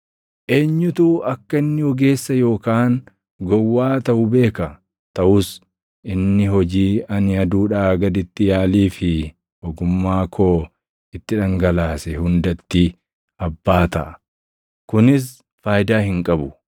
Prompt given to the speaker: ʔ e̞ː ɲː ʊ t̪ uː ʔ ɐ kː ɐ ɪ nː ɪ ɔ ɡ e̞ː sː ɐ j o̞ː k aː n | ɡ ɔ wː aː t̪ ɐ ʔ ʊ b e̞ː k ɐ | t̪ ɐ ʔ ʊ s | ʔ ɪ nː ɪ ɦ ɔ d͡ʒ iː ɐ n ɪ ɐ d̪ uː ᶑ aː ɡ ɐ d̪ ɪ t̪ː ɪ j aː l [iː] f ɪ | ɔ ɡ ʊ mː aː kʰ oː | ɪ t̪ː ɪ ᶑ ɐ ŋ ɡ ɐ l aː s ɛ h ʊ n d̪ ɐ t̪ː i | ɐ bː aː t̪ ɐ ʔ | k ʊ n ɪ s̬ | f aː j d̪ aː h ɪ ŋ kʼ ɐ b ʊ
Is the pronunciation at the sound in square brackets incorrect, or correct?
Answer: correct